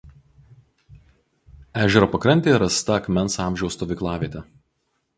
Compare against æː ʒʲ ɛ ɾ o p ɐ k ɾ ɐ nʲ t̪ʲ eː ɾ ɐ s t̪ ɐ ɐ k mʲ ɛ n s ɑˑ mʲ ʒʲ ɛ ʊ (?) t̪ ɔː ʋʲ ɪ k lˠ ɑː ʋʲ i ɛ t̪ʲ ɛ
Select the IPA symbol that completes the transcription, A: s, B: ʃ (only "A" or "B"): A